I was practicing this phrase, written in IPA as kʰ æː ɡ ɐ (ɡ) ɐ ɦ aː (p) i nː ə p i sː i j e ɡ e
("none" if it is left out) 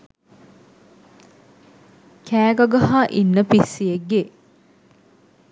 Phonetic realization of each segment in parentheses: ɡ, ʔ

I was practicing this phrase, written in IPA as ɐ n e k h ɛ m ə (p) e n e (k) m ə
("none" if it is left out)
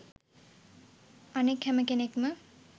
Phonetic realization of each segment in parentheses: k, k

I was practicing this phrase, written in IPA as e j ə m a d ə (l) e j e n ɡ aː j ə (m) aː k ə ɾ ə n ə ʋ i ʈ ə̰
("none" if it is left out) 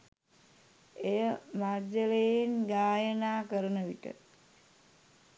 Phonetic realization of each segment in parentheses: l, n

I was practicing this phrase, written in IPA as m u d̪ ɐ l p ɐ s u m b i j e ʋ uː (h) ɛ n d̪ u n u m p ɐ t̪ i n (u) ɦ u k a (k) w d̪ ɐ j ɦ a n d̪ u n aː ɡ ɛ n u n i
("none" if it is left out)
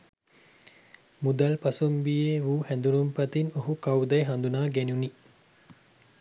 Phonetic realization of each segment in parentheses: h, o, none

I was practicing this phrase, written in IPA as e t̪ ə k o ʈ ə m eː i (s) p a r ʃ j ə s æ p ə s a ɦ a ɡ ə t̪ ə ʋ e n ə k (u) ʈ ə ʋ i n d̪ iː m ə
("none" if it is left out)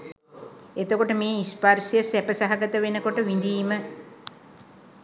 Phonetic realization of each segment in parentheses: s, o

